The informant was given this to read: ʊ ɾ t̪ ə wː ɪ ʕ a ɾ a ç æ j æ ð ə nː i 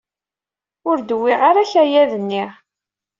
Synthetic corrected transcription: ʊ ɾ d̪ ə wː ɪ ʁ a ɾ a ç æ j æ ð ə nː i